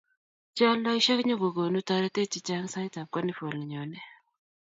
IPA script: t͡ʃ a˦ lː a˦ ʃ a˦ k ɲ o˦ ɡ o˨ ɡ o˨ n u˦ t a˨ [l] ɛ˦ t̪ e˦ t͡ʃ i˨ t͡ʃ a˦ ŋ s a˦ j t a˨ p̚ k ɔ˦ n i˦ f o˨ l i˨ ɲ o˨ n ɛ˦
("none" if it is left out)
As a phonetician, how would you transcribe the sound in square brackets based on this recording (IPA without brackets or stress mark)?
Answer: ɾ